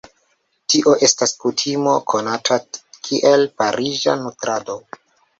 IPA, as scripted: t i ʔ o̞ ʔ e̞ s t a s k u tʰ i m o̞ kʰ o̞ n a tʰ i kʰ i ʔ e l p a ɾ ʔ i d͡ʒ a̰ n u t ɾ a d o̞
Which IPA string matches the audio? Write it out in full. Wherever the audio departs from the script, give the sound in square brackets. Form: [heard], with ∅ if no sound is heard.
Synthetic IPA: t i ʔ o̞ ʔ e̞ s t a s k u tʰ i m o̞ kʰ o̞ n a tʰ [a] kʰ i ʔ e l p a ɾ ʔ i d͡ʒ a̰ n u t ɾ a d o̞